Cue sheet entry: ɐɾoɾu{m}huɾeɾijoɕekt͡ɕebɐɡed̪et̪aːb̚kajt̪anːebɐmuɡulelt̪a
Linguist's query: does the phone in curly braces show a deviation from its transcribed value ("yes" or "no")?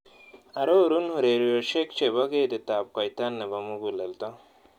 yes